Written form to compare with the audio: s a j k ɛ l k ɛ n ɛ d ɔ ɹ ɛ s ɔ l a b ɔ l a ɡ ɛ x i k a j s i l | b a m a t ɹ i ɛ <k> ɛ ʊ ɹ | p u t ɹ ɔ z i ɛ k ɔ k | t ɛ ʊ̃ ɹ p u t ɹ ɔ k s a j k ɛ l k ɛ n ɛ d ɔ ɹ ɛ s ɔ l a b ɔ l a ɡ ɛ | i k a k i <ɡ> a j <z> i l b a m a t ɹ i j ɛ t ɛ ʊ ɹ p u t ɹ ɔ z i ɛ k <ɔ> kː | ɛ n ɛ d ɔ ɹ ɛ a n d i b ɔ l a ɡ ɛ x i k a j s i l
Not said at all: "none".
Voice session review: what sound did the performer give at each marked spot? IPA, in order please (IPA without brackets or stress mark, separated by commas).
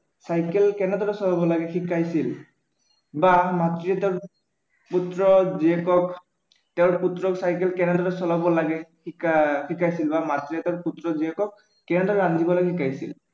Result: t, k, s, ɔ